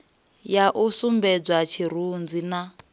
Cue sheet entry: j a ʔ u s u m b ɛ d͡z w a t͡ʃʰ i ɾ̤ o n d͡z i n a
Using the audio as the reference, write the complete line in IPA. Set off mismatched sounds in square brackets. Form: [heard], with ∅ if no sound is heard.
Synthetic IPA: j a ʔ u s u m b ɛ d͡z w a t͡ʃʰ i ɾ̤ [u] n d͡z i n a